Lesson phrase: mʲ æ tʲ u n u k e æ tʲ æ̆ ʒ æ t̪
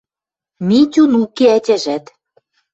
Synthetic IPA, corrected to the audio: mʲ i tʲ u n u k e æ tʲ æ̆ ʒ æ t̪